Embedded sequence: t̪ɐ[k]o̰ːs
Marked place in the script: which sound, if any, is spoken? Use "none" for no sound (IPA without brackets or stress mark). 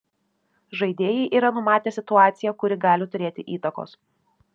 k